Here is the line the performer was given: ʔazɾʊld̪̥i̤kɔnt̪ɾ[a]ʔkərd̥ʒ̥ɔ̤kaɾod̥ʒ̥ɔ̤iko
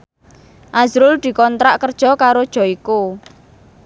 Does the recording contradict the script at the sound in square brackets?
no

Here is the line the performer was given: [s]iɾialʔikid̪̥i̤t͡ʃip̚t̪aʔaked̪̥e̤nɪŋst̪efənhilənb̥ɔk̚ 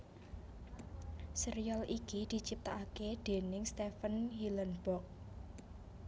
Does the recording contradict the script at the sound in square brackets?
no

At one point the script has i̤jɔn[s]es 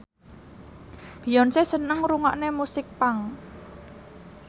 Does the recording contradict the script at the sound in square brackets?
no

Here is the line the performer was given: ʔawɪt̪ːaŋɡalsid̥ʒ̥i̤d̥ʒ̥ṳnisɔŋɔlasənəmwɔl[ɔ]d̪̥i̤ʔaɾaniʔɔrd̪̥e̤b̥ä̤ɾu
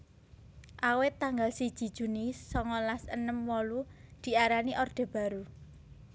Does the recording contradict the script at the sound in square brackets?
yes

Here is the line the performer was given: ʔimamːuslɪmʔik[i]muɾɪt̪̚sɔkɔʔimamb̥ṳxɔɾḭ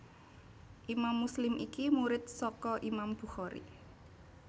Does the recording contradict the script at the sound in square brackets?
no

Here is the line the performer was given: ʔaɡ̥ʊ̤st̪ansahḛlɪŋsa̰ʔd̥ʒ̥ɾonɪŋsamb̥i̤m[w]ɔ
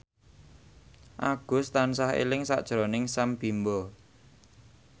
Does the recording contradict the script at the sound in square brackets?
yes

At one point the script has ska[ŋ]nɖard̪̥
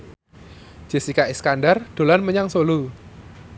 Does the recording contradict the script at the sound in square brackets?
yes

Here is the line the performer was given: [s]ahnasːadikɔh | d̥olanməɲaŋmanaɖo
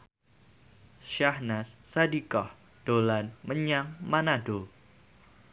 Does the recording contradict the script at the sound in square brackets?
yes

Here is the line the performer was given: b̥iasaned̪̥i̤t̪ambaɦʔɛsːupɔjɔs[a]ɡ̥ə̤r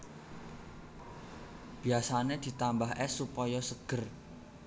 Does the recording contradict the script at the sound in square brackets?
yes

